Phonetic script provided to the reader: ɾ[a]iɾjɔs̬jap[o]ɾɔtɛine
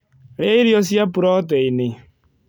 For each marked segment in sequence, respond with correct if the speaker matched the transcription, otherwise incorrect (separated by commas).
incorrect, incorrect